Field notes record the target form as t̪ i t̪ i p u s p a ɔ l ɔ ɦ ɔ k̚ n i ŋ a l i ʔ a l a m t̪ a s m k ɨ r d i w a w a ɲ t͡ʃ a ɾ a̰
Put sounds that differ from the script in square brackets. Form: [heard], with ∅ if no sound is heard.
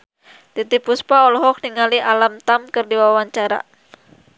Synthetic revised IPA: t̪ i t̪ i p u s p a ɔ l ɔ ɦ ɔ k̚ n i ŋ a l i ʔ a l a m t̪ a [∅] m k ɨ r d i w a w a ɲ t͡ʃ a ɾ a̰